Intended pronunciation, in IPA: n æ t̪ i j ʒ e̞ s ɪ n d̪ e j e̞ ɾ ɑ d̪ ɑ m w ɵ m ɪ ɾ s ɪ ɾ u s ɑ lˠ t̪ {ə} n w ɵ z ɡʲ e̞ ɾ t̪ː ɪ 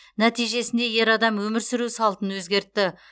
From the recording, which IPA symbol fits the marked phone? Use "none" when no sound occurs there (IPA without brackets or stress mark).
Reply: ə